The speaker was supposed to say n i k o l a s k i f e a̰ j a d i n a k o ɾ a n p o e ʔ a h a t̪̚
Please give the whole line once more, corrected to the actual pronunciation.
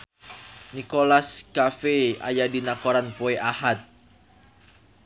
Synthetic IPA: n i k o l a s k a f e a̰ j a d i n a k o ɾ a n p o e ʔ a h a t̪̚

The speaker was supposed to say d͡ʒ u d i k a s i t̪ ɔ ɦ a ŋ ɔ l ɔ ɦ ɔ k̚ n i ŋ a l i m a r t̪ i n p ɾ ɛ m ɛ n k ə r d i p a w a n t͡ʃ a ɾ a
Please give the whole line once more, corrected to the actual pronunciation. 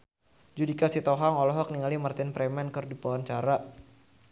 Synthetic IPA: d͡ʒ u d i k a s i t̪ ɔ ɦ a ŋ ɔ l ɔ ɦ ɔ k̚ n i ŋ a l i m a r t̪ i n p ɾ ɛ m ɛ n k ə r d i p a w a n t͡ʃ a ɾ a

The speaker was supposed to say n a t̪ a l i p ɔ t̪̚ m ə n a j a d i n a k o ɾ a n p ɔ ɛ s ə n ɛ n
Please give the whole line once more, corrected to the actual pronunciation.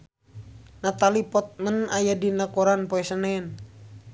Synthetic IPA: n a t̪ a l i p ɔ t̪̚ m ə n a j a d i n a k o ɾ a n p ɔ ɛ s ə n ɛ n

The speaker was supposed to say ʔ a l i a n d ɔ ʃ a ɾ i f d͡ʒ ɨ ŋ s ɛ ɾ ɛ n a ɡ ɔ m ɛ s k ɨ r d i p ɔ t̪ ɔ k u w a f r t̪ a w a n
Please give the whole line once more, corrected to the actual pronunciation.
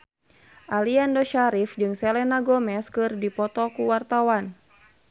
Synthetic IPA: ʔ a l i a n d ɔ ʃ a ɾ i f d͡ʒ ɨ ŋ s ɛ l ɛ n a ɡ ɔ m ɛ s k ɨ r d i p ɔ t̪ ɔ k u w a r t̪ a w a n

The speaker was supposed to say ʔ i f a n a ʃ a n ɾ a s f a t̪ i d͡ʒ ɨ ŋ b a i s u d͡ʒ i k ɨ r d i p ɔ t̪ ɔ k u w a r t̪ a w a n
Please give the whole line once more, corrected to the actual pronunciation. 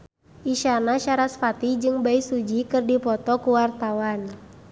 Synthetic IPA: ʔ i ʃ a n a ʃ a ɾ a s f a t̪ i d͡ʒ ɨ ŋ b a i s u d͡ʒ i k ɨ r d i p ɔ t̪ ɔ k u w a r t̪ a w a n

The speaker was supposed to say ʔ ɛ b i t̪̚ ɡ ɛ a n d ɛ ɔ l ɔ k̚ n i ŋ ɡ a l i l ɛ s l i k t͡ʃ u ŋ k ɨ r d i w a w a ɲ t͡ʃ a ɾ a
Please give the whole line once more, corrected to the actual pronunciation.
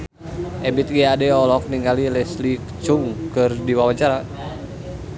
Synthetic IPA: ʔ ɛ b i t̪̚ ɡ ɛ a d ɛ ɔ l ɔ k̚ n i ŋ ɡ a l i l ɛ s l i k t͡ʃ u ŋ k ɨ r d i w a w a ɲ t͡ʃ a ɾ a

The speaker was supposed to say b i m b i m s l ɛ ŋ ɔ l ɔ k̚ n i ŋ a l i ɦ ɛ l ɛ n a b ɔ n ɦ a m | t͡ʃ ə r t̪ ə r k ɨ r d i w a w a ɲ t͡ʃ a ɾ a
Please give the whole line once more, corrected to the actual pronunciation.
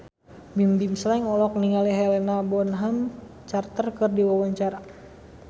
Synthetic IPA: b i m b i m s l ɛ ŋ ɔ l ɔ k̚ n i ŋ a l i ɦ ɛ l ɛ n a b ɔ n ɦ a m | t͡ʃ a r t̪ ə r k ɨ r d i w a w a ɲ t͡ʃ a ɾ a

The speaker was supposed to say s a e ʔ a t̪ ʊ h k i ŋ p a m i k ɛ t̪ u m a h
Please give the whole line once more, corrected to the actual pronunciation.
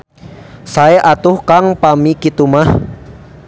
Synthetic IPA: s a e ʔ a t̪ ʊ h k a ŋ p a m i k i t̪ u m a h

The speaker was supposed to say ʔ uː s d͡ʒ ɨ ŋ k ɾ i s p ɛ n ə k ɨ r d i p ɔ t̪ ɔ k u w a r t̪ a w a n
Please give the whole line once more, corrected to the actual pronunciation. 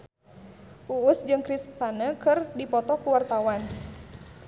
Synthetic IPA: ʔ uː s d͡ʒ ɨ ŋ k ɾ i s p a n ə k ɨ r d i p ɔ t̪ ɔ k u w a r t̪ a w a n

